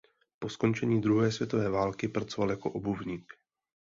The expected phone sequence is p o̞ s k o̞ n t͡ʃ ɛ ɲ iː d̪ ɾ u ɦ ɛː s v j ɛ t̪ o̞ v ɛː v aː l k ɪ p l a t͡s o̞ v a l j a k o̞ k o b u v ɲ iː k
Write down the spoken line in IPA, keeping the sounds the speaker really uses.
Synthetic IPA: p o̞ s k o̞ n t͡ʃ ɛ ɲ iː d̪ ɾ u ɦ ɛː s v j ɛ t̪ o̞ v ɛː v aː l k ɪ p ɾ a t͡s o̞ v a l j a k o̞ ʔ o b u v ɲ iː k